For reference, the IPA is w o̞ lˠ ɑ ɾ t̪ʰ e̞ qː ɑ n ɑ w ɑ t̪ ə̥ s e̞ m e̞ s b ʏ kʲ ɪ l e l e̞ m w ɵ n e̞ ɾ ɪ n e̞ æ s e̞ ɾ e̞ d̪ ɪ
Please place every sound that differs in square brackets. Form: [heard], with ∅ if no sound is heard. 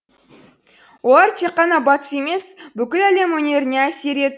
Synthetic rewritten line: w o̞ lˠ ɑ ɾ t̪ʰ e̞ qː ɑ n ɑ [b] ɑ t̪ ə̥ s e̞ m e̞ s b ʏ kʲ ɪ l [æ] l e̞ m w ɵ n e̞ ɾ ɪ n e̞ æ s e̞ ɾ e̞ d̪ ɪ